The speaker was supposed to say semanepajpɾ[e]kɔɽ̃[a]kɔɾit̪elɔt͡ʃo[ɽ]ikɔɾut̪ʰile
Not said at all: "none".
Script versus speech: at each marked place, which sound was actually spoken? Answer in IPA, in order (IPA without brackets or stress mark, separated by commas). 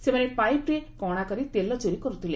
e, a, ɾ